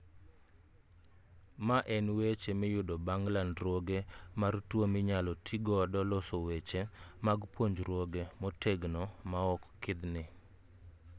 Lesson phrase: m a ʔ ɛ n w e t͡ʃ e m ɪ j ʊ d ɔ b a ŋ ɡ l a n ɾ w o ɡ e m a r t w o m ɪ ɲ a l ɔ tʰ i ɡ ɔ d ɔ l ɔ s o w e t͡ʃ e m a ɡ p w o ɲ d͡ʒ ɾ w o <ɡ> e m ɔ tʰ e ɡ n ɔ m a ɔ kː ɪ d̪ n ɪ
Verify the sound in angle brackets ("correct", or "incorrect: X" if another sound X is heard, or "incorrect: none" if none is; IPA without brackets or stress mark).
correct